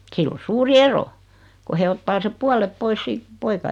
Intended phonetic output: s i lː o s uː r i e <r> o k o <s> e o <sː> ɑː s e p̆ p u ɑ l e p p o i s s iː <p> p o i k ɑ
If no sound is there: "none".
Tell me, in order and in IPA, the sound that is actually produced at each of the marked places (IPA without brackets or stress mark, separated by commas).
r, h, tː, t